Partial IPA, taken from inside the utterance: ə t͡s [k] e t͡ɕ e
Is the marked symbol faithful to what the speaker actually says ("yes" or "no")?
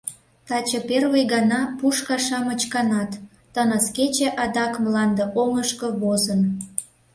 yes